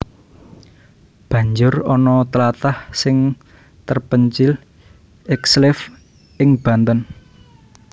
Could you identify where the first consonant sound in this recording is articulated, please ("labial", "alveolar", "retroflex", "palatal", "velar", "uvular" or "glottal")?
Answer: labial